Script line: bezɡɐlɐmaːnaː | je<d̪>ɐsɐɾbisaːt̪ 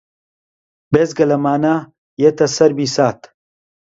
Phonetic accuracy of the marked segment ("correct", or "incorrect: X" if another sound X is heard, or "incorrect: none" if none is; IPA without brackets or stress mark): incorrect: t̪